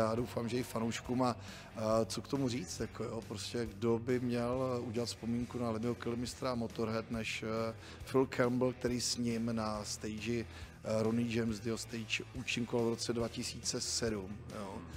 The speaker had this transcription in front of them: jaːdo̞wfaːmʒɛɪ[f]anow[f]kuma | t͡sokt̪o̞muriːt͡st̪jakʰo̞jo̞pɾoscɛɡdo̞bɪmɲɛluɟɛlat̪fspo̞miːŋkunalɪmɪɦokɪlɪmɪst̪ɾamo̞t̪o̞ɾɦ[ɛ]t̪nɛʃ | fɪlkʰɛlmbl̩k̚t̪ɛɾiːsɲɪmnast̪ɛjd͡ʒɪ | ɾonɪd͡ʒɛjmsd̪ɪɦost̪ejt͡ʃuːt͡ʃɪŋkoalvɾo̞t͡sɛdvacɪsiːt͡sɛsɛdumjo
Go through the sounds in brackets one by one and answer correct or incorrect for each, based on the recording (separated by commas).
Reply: correct, incorrect, correct